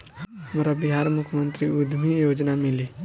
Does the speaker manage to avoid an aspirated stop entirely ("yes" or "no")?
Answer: no